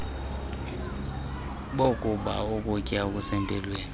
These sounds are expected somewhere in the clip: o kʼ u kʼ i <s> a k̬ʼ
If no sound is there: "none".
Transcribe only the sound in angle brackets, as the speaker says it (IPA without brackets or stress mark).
none